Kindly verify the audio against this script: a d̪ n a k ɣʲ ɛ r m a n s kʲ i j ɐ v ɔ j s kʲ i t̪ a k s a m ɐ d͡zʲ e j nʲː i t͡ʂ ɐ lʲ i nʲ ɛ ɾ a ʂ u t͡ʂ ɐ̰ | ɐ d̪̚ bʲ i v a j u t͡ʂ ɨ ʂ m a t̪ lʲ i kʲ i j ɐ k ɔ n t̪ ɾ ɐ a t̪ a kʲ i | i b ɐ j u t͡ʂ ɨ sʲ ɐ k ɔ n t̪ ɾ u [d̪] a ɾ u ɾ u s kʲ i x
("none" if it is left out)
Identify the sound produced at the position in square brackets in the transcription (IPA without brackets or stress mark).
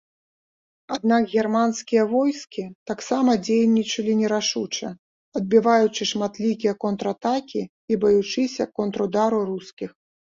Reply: d̪